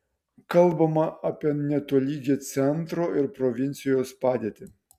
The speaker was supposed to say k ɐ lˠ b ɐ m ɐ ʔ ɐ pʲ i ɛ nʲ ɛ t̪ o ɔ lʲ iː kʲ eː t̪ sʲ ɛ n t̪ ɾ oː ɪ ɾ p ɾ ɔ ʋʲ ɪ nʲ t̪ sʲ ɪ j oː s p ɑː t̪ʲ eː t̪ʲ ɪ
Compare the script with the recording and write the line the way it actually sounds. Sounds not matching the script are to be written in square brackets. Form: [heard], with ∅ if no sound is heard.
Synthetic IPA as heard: k ɐ lˠ b ɐ m ɐ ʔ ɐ pʲ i ɛ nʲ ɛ t̪ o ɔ lʲ iː [ɡʲ] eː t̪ sʲ ɛ n t̪ ɾ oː ɪ ɾ p ɾ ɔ ʋʲ ɪ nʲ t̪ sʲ ɪ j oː s p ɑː [d̪ʲ] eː t̪ʲ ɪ